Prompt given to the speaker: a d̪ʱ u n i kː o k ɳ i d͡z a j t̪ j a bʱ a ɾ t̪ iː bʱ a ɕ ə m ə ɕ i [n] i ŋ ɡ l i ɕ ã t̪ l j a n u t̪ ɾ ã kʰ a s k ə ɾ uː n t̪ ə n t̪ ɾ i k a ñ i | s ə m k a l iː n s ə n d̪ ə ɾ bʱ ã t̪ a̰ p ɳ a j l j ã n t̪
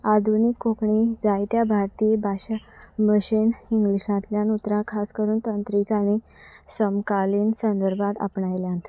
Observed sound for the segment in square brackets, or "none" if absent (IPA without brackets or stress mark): n